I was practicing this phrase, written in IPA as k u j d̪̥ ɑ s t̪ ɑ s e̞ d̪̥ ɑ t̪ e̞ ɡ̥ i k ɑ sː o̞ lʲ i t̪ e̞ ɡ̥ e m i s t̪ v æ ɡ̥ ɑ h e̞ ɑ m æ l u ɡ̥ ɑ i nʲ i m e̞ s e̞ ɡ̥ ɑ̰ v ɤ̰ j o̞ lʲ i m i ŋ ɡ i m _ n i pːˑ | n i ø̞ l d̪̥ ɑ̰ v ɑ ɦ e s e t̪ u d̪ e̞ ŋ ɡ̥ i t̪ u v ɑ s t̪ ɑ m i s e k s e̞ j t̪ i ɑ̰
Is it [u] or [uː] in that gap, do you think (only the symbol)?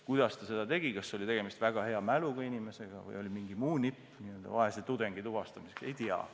uː